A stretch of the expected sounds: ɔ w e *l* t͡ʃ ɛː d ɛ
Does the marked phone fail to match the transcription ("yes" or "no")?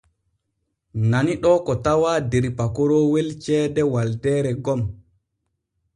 no